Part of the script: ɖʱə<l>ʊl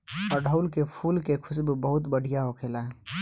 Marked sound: incorrect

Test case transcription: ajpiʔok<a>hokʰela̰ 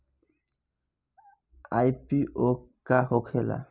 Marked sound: correct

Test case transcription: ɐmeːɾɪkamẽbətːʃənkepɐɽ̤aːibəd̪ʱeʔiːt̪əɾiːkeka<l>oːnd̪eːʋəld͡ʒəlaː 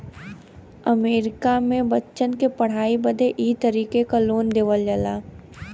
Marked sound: correct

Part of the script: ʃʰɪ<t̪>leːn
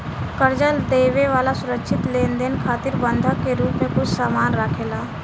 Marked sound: correct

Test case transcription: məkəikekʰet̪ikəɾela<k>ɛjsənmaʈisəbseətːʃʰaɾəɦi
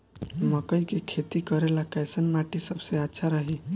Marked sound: correct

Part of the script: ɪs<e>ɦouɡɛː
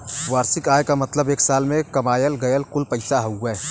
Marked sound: incorrect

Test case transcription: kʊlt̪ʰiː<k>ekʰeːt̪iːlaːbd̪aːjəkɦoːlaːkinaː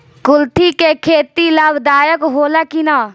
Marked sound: correct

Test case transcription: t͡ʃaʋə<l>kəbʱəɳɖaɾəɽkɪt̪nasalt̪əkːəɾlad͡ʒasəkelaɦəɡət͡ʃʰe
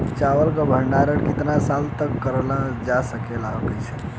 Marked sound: correct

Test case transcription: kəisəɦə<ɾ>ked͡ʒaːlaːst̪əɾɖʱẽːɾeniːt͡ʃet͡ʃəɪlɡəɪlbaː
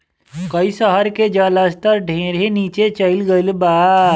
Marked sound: correct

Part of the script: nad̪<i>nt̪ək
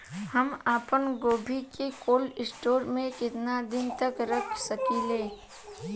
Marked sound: incorrect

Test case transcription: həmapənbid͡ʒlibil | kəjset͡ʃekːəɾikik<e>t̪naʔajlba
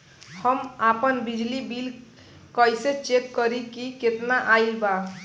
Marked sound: correct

